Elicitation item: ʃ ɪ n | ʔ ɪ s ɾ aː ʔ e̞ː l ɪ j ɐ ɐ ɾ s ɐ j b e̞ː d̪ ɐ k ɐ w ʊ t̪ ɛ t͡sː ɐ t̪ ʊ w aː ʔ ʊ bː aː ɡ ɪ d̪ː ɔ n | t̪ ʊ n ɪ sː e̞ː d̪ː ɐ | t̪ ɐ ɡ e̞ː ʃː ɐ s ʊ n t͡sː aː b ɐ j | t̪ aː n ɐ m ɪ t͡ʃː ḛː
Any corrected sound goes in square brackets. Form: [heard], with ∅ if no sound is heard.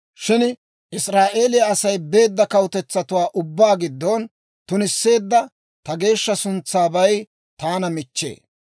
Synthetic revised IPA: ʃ ɪ n | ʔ ɪ s ɾ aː ʔ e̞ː l ɪ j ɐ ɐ [∅] s ɐ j b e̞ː [d̪ː] ɐ k ɐ w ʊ t̪ ɛ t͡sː ɐ t̪ ʊ w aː ʔ ʊ bː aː ɡ ɪ d̪ː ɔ n | t̪ ʊ n ɪ sː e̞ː d̪ː ɐ | t̪ ɐ ɡ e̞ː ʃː ɐ s ʊ n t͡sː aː b ɐ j | t̪ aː n ɐ m ɪ t͡ʃː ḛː